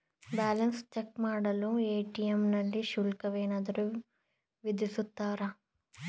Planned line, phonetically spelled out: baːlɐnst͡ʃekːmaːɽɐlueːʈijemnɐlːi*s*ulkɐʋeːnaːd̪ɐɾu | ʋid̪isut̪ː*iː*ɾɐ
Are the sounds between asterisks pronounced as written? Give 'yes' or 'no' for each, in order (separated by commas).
no, no